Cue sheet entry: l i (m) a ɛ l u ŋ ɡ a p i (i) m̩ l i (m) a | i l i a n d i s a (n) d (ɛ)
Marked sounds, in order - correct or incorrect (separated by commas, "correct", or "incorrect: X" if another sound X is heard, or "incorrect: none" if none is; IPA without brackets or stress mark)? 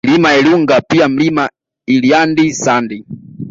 correct, incorrect: a, correct, correct, incorrect: i